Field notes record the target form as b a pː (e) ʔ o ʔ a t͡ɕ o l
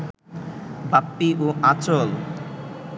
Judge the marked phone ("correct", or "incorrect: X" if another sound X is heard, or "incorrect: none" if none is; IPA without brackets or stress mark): incorrect: i